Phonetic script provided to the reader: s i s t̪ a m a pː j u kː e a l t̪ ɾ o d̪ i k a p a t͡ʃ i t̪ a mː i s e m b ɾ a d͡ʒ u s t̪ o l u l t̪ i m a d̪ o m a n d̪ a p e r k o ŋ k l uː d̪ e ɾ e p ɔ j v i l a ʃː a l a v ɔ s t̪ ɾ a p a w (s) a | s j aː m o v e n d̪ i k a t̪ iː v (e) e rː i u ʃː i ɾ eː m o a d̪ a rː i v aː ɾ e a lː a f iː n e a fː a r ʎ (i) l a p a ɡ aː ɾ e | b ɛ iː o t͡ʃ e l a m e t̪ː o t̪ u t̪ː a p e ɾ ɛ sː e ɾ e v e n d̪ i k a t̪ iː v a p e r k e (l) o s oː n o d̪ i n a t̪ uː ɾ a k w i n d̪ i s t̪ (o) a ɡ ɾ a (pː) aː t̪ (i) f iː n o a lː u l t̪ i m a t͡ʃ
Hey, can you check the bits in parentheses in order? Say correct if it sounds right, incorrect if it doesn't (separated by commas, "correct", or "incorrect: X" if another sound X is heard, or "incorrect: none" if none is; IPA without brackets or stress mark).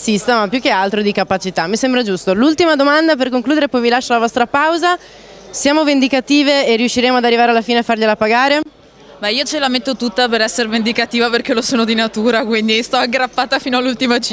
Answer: incorrect: z, correct, incorrect: e, correct, incorrect: ɔ, correct, incorrect: a